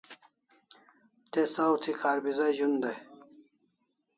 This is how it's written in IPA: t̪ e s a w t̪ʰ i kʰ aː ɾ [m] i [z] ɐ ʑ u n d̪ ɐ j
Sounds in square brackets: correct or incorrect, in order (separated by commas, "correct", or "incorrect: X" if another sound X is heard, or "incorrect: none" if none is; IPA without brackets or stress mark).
incorrect: b, correct